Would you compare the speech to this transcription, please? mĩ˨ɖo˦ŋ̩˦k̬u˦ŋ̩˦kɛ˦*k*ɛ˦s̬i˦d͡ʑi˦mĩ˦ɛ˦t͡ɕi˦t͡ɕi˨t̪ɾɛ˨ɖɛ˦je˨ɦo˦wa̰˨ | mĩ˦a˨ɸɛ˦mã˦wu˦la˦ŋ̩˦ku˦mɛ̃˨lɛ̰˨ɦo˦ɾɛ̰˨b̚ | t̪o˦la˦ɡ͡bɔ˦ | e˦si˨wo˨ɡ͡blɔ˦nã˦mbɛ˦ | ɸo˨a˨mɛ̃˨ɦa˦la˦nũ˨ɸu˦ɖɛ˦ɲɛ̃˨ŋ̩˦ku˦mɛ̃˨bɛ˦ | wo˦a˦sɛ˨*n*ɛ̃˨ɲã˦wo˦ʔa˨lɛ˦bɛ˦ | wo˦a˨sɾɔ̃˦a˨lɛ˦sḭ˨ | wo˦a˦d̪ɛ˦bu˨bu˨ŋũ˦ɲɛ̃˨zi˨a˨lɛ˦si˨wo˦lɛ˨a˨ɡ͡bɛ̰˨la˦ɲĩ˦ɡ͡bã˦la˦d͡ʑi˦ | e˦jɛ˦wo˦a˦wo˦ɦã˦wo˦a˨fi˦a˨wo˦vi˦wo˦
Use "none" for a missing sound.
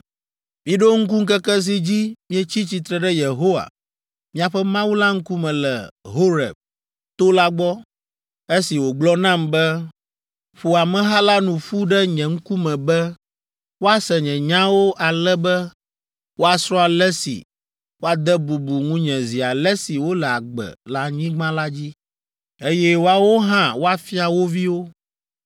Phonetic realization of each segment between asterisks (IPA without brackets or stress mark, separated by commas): k, ɲ